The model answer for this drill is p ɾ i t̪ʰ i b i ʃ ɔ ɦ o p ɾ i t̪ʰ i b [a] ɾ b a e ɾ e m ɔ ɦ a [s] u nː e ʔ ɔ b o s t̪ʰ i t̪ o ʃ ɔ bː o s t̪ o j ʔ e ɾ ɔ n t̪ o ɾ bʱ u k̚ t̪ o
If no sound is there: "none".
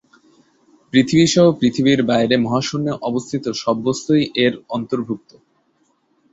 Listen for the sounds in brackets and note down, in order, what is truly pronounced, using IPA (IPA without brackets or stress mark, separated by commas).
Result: i, ʃ